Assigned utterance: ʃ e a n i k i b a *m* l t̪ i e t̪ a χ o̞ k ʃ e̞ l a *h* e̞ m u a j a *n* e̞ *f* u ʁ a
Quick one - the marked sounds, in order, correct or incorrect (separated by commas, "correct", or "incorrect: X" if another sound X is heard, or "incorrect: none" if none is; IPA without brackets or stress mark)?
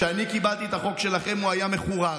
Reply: incorrect: none, incorrect: χ, incorrect: m, incorrect: χ